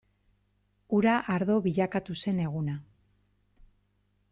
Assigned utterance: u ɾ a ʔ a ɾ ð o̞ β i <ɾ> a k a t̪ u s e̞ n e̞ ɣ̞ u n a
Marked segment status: incorrect: ʎ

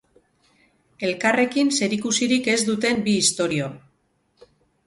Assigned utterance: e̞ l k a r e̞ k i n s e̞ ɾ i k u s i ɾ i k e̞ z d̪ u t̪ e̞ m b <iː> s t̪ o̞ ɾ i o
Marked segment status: correct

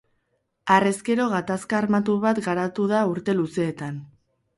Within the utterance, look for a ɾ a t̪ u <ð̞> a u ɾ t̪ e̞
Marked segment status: correct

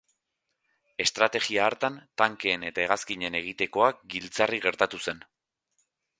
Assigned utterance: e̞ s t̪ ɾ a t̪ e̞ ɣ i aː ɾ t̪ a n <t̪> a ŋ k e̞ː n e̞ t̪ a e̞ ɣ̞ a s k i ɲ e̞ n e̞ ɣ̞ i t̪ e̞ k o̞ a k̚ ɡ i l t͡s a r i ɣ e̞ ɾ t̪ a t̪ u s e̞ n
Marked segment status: correct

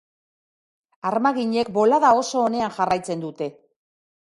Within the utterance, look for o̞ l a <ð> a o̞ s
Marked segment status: correct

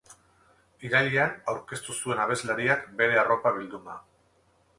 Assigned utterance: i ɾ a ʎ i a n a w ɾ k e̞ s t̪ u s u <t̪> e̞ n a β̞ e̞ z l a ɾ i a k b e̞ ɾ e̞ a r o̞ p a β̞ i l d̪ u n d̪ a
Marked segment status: incorrect: none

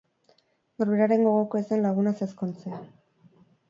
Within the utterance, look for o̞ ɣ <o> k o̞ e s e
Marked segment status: correct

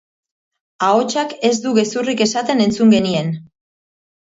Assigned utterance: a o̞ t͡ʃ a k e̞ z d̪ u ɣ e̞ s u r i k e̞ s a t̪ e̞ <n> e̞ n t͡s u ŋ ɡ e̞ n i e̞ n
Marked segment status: correct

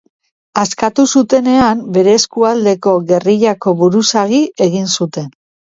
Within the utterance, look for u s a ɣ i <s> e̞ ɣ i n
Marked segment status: incorrect: none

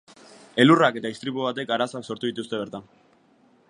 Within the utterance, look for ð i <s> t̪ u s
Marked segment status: incorrect: none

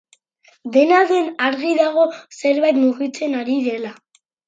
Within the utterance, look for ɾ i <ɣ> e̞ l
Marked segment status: incorrect: ð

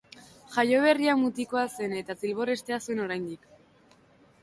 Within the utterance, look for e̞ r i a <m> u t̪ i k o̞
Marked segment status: correct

